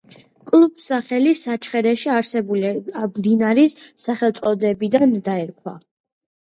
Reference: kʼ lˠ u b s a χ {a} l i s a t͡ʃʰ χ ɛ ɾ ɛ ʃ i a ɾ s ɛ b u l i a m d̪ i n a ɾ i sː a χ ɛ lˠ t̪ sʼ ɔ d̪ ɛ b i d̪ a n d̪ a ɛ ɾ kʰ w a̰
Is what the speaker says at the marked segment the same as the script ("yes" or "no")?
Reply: no